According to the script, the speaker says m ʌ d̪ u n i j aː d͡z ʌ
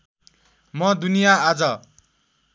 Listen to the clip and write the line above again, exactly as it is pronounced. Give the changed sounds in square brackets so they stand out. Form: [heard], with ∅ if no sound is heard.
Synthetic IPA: m ʌ d̪ u n i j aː d͡z ʌ